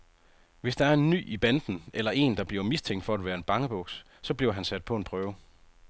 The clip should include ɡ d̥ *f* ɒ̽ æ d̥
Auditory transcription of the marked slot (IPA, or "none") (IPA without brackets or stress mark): f